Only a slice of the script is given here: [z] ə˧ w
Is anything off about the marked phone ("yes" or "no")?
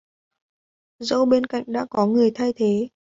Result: no